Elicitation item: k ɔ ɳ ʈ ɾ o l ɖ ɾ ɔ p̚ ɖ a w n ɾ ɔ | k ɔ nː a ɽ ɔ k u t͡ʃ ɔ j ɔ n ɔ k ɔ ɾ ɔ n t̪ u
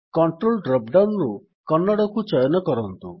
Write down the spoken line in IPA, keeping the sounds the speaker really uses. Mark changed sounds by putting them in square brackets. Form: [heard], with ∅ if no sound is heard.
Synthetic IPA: k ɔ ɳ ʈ ɾ o l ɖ ɾ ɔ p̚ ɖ a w n ɾ [u] | k ɔ nː a ɽ ɔ k u t͡ʃ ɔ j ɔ n ɔ k ɔ ɾ ɔ n t̪ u